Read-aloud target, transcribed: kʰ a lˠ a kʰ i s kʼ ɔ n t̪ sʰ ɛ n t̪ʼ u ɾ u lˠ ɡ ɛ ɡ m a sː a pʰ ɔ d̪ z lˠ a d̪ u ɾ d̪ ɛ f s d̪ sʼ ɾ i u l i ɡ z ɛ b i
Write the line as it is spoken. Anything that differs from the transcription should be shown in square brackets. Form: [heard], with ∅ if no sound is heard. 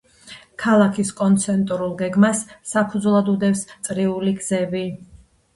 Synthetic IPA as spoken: kʰ a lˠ a kʰ i s kʼ ɔ n t̪ sʰ ɛ n t̪ʼ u ɾ u lˠ ɡ ɛ ɡ m a sː a pʰ [u] d̪ z lˠ a d̪ u [∅] d̪ ɛ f s [t̪] sʼ ɾ i u l i ɡ z ɛ b i